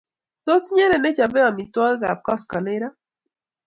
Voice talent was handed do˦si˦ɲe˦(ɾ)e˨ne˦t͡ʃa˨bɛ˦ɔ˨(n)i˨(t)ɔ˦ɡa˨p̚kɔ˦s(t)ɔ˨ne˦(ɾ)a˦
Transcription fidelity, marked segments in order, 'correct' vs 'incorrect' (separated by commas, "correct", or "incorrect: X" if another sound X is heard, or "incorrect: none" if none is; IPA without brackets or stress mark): correct, incorrect: m, correct, incorrect: k, correct